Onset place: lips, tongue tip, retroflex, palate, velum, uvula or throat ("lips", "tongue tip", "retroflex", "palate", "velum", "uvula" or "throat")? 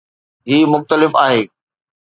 throat